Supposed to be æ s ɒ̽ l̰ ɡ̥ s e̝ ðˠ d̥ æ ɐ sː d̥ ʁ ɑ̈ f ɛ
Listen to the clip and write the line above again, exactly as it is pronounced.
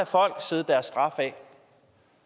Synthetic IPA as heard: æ f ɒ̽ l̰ ɡ̥ s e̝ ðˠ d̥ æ ɐ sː d̥ ʁ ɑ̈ f ɛ